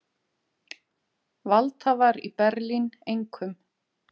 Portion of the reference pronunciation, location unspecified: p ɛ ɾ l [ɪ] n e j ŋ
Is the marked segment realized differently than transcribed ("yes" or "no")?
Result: yes